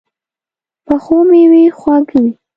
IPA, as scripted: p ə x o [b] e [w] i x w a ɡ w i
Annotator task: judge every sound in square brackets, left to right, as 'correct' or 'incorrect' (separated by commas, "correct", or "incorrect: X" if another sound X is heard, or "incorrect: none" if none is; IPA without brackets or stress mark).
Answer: incorrect: m, correct